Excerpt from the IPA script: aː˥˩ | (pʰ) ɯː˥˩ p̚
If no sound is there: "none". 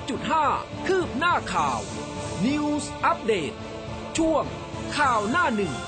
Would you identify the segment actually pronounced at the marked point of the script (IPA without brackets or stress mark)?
kʰ